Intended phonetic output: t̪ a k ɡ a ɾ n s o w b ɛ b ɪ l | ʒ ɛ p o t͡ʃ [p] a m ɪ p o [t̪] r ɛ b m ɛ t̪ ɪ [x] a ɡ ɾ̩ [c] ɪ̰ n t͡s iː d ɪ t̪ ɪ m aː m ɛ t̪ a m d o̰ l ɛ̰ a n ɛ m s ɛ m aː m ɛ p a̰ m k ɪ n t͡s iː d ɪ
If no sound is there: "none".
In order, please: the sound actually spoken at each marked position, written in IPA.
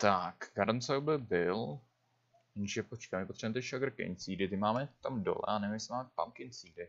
k, t̪, ʃ, k

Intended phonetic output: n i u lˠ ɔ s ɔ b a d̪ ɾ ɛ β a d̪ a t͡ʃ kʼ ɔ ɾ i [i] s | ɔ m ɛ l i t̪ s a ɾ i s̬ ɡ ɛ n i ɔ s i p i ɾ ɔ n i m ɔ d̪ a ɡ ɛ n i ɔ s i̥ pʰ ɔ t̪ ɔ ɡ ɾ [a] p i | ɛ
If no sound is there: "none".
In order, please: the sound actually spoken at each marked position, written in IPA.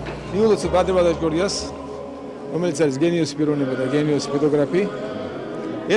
a, a

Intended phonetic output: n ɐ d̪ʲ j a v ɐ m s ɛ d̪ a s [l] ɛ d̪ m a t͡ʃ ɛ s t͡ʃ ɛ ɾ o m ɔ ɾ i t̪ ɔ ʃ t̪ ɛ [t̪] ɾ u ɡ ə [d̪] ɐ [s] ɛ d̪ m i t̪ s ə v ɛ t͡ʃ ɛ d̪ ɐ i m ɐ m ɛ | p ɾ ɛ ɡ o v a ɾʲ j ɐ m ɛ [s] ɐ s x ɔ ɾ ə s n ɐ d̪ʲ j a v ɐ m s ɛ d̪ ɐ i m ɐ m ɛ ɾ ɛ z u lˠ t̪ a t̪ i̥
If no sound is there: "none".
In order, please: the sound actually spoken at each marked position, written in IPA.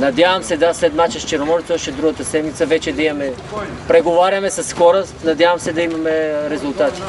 l, d̪, t̪, s, s

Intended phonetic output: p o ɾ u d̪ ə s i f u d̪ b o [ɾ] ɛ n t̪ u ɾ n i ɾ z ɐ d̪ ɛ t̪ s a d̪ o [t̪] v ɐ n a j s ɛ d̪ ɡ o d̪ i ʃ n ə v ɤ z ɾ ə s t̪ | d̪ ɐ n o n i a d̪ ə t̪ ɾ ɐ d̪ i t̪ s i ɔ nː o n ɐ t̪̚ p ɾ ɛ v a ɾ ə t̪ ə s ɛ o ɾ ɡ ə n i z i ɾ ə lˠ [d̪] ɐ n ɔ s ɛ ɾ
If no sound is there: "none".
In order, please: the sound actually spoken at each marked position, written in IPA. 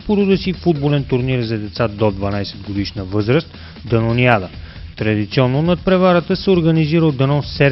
l, d̪, d̪

